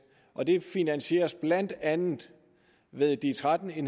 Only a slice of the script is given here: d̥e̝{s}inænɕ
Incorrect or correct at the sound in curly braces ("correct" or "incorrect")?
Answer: incorrect